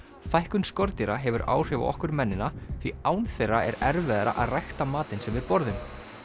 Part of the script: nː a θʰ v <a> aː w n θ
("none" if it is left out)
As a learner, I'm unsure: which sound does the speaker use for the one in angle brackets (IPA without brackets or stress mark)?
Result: i